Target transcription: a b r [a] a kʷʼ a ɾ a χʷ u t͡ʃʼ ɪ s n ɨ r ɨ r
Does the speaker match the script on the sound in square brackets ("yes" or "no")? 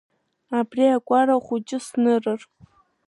no